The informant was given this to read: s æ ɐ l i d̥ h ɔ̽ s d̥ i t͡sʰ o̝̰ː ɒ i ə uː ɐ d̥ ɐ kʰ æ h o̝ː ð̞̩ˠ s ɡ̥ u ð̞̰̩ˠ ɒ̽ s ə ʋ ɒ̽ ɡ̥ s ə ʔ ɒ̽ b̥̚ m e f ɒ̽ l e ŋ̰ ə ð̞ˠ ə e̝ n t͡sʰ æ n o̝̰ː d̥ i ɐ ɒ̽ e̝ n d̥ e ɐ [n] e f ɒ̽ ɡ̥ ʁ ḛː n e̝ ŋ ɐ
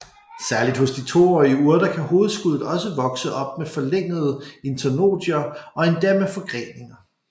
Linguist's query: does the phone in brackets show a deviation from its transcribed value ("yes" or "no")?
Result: yes